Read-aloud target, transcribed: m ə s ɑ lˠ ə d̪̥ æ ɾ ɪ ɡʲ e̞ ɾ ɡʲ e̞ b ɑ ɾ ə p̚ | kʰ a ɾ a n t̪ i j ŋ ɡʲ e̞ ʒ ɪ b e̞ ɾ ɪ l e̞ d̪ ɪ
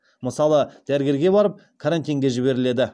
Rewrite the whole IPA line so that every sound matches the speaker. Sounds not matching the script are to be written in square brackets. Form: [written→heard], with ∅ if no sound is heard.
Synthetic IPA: m ə s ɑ lˠ ə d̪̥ æ ɾ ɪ ɡʲ e̞ ɾ ɡʲ e̞ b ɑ ɾ ə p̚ | kʰ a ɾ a n t̪ i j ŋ ɡʲ e̞ ʒ ɪ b e̞ ɾ ɪ l e̞ d̪ ɪ